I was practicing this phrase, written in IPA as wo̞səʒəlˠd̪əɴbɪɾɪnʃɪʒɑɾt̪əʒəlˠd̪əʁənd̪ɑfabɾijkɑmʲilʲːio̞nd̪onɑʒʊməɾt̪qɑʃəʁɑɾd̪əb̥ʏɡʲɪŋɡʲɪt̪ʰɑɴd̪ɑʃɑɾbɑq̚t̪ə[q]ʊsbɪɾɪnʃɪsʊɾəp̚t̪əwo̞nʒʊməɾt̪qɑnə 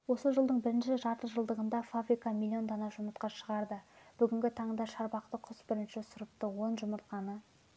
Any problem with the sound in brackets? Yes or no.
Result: yes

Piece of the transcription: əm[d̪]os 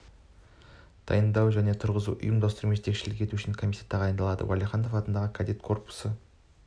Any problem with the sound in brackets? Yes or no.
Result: no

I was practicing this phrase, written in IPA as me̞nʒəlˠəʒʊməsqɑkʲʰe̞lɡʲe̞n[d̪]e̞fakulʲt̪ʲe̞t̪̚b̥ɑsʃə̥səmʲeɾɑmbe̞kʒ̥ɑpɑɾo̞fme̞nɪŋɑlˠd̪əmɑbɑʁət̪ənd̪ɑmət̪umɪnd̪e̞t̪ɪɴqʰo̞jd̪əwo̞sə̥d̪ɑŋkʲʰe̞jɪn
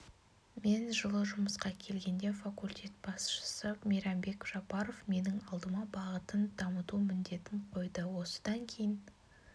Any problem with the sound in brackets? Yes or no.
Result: no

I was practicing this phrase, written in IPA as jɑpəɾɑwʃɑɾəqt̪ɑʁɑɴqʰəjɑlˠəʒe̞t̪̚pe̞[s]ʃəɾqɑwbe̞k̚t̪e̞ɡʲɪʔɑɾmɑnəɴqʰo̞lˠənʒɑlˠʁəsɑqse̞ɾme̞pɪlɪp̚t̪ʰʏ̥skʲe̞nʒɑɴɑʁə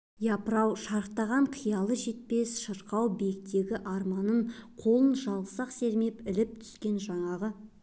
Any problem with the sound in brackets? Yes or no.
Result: no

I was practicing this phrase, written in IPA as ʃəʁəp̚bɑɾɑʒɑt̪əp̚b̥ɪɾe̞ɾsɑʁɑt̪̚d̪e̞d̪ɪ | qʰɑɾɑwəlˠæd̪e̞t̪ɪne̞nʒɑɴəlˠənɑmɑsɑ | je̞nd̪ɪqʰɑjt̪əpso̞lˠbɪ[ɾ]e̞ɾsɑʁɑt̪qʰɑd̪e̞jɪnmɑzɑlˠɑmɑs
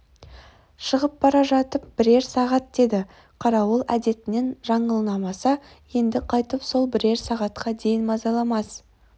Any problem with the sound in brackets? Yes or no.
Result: no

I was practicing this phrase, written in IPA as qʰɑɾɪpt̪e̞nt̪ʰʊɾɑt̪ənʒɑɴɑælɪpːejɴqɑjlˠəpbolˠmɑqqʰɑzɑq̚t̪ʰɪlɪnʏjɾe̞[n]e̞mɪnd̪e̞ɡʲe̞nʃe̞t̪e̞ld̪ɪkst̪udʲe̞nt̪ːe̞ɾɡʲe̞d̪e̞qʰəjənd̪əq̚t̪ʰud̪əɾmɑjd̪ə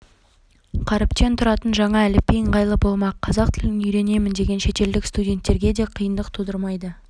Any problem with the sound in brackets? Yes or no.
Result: no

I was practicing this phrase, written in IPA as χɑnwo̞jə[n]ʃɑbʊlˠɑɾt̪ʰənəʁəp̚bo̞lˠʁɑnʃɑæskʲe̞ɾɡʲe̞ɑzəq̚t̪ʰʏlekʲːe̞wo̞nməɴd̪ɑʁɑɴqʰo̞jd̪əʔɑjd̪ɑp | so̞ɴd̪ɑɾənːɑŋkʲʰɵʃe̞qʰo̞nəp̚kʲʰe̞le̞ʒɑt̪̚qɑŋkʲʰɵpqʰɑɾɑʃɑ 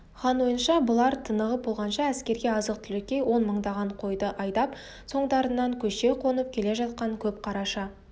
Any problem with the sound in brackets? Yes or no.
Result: no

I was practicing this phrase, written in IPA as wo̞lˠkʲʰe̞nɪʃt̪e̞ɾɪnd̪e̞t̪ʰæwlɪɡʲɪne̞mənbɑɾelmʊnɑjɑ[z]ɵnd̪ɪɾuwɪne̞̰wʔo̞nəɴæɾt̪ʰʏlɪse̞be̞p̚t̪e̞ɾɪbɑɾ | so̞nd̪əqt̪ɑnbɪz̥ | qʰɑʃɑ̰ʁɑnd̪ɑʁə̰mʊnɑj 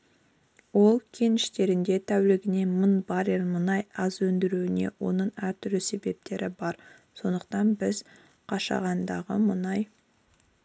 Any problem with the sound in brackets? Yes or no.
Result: no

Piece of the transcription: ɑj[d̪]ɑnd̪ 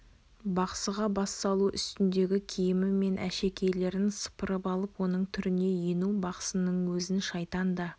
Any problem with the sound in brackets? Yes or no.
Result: yes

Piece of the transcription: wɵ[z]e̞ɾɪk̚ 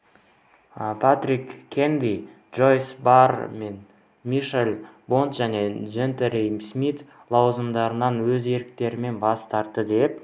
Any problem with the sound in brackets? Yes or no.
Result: no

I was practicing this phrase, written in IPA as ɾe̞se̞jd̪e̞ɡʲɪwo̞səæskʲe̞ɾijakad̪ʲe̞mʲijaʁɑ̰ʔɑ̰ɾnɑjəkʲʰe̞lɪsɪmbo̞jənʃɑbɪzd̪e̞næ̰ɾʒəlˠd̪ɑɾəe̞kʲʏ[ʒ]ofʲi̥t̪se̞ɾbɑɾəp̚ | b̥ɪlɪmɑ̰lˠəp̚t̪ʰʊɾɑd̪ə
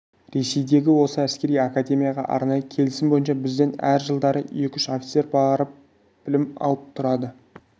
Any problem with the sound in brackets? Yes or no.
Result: yes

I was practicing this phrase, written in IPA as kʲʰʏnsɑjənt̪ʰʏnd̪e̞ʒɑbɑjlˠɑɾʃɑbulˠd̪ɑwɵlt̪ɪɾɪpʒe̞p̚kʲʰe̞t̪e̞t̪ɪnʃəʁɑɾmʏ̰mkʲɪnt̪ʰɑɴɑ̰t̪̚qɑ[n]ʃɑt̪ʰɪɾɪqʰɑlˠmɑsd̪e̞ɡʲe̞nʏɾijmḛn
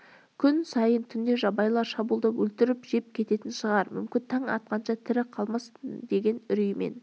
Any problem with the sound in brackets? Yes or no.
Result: no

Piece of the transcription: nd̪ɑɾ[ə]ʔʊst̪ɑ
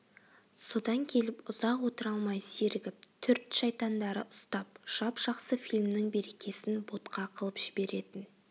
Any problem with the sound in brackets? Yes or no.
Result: no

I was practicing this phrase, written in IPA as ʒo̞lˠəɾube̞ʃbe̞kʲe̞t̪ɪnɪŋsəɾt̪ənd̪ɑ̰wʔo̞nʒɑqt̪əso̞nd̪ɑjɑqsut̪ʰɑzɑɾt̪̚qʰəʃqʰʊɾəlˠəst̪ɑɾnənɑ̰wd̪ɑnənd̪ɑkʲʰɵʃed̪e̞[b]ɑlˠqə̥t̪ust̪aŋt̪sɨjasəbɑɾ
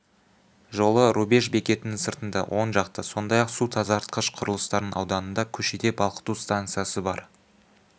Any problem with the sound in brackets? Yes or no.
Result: no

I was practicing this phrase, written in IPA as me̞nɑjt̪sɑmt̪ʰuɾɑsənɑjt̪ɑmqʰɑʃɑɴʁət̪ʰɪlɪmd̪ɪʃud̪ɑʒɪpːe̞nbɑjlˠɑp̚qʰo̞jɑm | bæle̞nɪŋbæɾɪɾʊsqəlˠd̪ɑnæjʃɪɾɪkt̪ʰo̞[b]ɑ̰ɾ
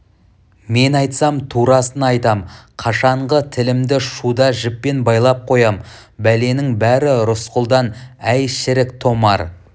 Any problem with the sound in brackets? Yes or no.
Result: yes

